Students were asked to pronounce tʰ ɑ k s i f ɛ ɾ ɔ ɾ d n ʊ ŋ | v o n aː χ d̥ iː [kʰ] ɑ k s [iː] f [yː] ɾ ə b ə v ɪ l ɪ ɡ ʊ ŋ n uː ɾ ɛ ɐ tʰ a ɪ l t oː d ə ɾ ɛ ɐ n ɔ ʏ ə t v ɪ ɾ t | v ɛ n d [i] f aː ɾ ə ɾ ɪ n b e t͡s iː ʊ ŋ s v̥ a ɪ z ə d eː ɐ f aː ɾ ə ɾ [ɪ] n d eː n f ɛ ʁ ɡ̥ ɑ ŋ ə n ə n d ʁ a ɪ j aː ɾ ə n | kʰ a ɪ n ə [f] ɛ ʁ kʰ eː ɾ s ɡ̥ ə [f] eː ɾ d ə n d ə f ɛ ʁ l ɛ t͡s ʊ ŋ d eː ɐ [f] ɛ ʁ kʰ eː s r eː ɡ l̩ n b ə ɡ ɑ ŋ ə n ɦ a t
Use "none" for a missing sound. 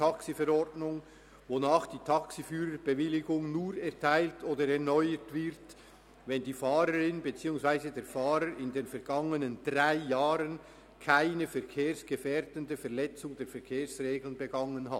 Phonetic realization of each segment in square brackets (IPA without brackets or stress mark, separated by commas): tʰ, i, yː, iː, ɪ, f, f, f